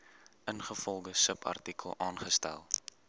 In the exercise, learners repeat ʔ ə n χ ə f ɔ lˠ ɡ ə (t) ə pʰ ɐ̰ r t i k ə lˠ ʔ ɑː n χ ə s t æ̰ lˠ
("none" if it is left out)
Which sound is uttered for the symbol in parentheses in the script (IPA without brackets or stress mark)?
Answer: s